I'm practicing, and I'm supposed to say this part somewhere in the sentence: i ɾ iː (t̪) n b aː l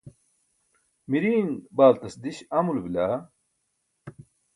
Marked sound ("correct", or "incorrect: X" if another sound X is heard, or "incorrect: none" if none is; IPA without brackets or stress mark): incorrect: none